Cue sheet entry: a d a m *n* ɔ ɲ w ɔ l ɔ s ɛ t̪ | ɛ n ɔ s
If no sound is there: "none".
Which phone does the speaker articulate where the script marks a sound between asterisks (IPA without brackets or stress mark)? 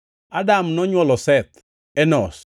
n